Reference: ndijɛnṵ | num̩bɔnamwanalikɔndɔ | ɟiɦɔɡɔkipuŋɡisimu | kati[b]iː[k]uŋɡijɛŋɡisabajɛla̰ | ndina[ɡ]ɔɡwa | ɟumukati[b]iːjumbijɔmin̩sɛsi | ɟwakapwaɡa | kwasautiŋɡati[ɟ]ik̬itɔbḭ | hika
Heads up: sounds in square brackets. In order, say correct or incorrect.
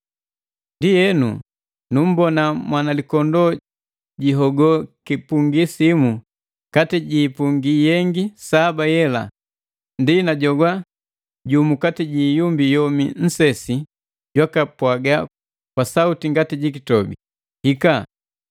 incorrect, incorrect, incorrect, incorrect, correct

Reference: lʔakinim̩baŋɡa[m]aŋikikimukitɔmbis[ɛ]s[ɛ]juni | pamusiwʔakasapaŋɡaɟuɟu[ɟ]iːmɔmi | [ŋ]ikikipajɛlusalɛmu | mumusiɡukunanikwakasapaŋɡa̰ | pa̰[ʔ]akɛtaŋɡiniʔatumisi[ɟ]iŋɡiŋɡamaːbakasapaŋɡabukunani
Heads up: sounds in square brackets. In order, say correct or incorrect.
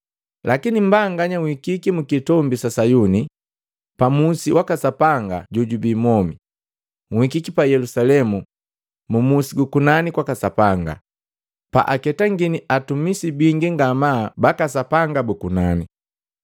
incorrect, incorrect, incorrect, incorrect, correct, correct, incorrect

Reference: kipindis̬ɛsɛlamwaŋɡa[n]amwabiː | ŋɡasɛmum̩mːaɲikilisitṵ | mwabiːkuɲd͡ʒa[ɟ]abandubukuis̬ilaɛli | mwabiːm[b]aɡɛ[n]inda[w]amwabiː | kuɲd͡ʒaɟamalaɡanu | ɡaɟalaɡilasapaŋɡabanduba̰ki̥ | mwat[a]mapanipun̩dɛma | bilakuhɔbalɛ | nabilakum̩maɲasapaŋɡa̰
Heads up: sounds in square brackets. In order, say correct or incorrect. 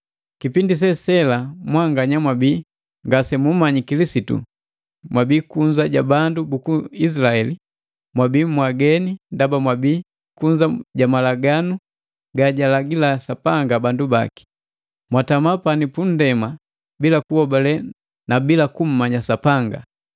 incorrect, correct, incorrect, correct, incorrect, correct

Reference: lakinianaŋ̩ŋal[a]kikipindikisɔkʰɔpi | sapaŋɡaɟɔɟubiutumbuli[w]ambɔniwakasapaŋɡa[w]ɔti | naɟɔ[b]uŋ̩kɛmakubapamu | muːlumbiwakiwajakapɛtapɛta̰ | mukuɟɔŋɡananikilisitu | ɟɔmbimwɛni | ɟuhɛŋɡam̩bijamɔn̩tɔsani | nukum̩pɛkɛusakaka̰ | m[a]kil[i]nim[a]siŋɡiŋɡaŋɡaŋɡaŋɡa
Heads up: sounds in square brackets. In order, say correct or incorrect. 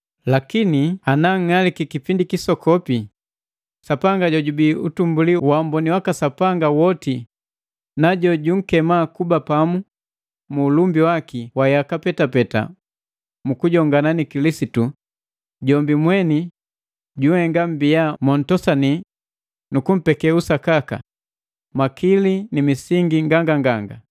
incorrect, correct, correct, incorrect, correct, correct, incorrect

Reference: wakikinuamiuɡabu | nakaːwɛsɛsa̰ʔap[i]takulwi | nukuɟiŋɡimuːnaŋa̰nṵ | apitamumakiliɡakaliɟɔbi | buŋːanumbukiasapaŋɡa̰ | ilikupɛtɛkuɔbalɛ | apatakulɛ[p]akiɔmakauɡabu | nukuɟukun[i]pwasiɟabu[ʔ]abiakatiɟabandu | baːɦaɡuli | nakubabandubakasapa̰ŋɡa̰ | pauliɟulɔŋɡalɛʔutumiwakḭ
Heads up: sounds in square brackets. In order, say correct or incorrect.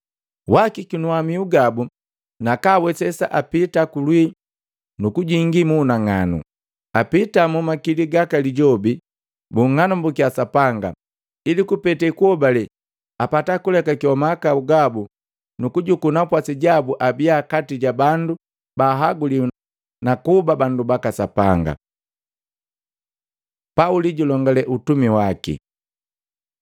correct, incorrect, incorrect, correct

